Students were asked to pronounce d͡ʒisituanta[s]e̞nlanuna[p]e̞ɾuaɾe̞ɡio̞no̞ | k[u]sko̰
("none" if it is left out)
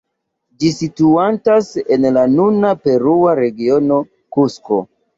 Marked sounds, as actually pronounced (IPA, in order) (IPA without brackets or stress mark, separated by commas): s, p, u